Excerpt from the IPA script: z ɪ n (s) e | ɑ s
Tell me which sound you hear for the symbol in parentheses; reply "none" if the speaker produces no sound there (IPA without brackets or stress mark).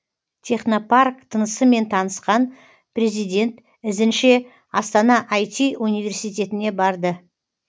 ʃ